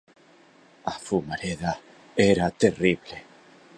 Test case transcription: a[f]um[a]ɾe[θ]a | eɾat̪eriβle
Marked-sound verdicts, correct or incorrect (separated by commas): correct, correct, incorrect